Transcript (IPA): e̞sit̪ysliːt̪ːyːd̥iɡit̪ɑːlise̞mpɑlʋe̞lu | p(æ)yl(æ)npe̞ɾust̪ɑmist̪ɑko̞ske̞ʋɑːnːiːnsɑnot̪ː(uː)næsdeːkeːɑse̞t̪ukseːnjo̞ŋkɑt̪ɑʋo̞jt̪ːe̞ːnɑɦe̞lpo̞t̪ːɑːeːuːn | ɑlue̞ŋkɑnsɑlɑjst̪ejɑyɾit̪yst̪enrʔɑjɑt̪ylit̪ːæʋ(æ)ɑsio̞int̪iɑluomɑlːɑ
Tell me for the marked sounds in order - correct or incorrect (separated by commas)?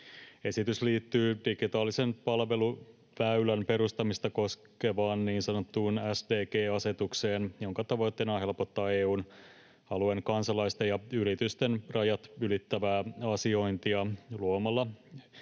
correct, correct, correct, incorrect